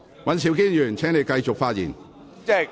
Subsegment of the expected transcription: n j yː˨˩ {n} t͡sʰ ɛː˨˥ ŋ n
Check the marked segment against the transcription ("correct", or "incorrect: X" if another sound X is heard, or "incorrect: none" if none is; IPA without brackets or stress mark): correct